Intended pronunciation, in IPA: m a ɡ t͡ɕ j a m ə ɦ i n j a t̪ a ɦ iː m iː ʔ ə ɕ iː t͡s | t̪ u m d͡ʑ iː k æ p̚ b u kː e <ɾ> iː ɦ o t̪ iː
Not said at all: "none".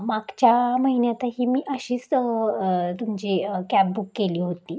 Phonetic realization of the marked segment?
l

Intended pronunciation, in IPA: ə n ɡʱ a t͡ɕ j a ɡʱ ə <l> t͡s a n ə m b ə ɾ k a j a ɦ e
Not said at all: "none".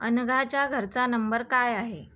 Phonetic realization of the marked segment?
ɾ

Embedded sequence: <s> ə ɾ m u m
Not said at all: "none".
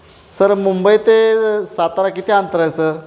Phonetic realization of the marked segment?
s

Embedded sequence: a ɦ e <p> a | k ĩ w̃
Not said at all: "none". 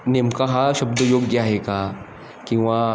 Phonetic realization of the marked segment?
k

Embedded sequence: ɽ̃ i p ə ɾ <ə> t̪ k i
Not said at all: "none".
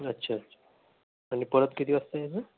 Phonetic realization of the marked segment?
ə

